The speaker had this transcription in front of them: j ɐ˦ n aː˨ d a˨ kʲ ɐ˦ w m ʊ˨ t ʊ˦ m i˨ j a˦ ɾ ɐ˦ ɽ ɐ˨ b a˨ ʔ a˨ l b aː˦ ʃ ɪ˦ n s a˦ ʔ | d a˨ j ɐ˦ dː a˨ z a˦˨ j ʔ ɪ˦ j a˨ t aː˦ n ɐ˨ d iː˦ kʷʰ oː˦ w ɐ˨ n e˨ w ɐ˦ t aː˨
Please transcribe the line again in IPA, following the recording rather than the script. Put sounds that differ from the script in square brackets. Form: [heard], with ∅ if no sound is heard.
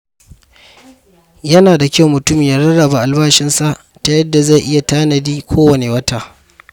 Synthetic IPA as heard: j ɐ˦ n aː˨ d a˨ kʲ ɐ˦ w m ʊ˨ t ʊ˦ m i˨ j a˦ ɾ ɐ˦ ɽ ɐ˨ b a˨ ʔ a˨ l b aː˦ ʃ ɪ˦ n s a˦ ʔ | [t] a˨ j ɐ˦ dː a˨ z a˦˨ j ʔ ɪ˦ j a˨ t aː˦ n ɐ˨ d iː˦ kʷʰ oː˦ w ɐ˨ n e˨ w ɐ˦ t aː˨

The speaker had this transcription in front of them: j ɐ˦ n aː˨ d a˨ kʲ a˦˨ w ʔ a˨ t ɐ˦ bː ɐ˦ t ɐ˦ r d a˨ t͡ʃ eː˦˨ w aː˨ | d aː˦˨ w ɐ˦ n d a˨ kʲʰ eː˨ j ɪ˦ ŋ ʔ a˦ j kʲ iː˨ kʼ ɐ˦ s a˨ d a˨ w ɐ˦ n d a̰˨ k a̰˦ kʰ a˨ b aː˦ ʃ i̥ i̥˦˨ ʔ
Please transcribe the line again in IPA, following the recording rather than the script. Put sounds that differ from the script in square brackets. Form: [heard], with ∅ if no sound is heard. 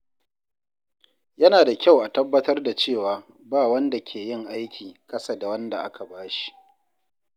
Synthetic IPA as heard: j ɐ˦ n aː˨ d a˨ kʲ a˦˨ w ʔ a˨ t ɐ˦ bː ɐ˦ t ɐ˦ r d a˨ t͡ʃ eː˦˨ w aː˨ | [b] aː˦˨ w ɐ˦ n d a˨ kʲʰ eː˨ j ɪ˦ ŋ ʔ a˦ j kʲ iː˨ kʼ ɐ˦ s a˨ d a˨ w ɐ˦ n d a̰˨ [ʔ] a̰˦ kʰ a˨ b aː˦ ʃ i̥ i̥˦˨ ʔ

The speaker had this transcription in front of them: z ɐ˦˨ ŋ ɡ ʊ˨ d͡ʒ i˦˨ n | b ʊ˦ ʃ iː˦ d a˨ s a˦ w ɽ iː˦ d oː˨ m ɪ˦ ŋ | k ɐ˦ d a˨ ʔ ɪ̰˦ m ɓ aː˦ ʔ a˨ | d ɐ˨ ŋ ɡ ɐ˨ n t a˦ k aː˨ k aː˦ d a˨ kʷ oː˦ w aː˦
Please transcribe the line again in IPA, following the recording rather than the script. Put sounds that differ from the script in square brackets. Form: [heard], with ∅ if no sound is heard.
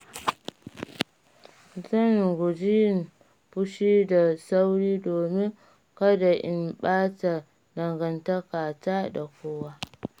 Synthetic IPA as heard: z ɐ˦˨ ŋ ɡ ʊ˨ d͡ʒ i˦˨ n | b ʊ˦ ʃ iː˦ d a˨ s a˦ w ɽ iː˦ d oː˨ m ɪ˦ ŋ | k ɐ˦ d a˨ ʔ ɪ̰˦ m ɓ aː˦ [t] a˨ | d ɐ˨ ŋ ɡ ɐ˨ n t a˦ k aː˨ [t] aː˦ d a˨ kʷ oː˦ w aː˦

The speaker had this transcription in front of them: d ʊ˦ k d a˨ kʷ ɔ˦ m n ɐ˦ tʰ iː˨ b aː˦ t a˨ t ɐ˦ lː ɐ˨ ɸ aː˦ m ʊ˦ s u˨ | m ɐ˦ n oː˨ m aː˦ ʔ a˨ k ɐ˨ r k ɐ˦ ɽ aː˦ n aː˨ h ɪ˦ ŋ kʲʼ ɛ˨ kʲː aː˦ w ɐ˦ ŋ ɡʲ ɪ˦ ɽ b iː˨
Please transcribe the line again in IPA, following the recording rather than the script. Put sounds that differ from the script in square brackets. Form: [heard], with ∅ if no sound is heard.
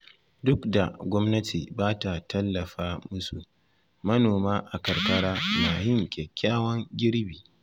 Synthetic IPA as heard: d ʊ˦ k d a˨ [ɡʷ] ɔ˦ m n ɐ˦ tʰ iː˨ b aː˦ t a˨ t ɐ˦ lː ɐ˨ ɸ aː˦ m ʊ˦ s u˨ | m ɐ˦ n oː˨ m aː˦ ʔ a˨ k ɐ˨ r k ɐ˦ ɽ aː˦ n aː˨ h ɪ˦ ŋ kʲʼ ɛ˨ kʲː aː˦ w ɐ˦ ŋ ɡʲ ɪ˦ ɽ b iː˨

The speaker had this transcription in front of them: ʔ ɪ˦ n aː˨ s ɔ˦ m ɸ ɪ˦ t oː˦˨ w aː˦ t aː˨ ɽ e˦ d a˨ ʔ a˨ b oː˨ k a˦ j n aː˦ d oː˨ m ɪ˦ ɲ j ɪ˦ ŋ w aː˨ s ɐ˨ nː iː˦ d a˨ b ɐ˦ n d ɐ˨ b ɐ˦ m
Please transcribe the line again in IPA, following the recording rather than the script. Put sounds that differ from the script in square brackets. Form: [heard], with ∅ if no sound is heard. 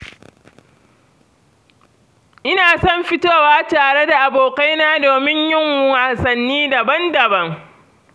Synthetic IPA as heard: ʔ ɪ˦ n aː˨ s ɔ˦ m ɸ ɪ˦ t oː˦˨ w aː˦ t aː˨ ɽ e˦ d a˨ ʔ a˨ b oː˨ k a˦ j n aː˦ d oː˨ m ɪ˦ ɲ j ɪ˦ ŋ w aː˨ s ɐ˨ nː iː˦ d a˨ b ɐ˦ n d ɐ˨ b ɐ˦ [ŋ]

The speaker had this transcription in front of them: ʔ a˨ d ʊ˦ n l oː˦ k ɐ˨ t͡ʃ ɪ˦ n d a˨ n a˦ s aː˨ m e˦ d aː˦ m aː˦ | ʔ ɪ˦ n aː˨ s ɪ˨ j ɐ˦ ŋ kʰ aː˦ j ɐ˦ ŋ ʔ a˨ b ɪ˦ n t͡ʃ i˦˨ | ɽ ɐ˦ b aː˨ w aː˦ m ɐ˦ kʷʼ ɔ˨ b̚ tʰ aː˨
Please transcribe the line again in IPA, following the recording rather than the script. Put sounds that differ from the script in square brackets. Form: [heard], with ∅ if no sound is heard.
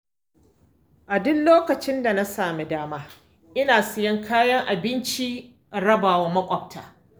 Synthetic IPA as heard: ʔ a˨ d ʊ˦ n l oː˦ k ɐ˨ t͡ʃ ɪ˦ n d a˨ n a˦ s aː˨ m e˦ d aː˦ m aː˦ | ʔ ɪ˦ n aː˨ s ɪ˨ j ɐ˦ ŋ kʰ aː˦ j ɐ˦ ŋ ʔ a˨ b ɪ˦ n t͡ʃ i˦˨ | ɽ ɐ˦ b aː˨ w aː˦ m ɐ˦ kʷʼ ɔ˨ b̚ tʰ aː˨

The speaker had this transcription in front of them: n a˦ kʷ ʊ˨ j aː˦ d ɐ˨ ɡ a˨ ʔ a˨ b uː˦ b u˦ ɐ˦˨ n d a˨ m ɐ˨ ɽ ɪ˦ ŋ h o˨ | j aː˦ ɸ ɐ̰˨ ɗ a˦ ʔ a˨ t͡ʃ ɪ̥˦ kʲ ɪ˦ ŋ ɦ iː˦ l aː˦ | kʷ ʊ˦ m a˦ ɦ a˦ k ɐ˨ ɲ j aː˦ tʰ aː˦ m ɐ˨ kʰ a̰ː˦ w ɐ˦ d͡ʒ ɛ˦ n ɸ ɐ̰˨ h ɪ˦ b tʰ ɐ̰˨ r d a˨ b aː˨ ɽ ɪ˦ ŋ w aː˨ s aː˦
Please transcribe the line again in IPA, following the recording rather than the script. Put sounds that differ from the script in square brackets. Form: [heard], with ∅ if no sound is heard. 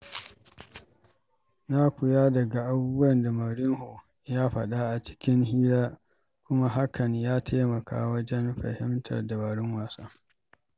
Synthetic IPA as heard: n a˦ kʷ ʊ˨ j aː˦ d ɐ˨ ɡ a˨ ʔ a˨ b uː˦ b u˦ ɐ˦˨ n d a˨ m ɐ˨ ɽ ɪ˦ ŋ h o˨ | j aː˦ ɸ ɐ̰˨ ɗ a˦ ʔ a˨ t͡ʃ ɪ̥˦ kʲ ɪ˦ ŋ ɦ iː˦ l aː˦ | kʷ ʊ˦ m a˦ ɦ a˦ k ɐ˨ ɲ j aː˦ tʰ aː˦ m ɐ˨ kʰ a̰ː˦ w ɐ˦ d͡ʒ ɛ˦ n ɸ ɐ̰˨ h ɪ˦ [m] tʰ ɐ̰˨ r d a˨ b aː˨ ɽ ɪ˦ ŋ w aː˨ s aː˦

